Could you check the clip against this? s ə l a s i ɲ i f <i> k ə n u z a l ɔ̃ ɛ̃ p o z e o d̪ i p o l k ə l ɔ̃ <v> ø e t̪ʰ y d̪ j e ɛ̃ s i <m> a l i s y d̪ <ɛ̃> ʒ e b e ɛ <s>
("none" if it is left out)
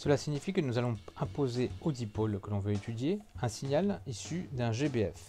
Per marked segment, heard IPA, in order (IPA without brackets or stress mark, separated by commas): i, v, ɲ, ɛ̃, f